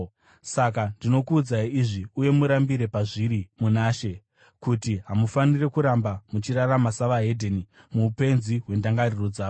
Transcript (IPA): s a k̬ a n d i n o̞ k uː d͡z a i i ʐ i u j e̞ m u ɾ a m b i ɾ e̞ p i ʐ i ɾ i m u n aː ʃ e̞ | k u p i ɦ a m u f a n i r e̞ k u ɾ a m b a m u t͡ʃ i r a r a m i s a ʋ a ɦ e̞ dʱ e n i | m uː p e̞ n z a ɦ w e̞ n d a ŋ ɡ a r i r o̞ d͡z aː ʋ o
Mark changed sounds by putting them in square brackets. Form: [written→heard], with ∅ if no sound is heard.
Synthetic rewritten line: s a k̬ a n d i n o̞ k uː d͡z a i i ʐ i u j e̞ m u ɾ a m b i ɾ e̞ p [i→a] ʐ i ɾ i m u n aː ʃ e̞ | k u [p→t] i ɦ a m u f a n i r e̞ k u ɾ a m b a m u t͡ʃ i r a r a m [i→a] s a ʋ a ɦ e̞ dʱ e n i | m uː p e̞ n z [a→i] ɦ w e̞ n d a ŋ ɡ a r i r o̞ d͡z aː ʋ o